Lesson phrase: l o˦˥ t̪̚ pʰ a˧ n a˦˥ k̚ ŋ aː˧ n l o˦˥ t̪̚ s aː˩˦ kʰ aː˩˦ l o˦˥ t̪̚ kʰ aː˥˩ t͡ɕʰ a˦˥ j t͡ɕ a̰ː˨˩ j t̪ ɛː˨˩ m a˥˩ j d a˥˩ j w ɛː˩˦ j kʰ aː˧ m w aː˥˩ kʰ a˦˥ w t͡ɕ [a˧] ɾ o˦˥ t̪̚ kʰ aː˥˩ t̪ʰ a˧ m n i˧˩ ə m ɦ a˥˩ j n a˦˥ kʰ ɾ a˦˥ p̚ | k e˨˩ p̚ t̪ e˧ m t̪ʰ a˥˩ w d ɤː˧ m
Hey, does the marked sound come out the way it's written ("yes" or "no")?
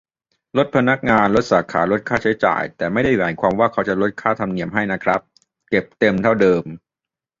no